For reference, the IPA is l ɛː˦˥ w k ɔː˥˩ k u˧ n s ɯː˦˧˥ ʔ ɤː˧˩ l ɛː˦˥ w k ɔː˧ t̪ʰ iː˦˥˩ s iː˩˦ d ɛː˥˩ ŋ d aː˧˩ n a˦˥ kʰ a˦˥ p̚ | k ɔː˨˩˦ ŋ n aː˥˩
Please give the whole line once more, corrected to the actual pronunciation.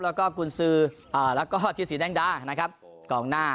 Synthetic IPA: l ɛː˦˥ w k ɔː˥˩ k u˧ n s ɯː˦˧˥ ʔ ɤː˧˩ l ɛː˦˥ w k ɔː˥˩ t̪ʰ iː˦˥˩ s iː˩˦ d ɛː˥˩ ŋ d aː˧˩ n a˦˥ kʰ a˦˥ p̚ | k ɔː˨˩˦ ŋ n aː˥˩